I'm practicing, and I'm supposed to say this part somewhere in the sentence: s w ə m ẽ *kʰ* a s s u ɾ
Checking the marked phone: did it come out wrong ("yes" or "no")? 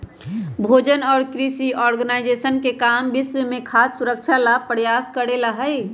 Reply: no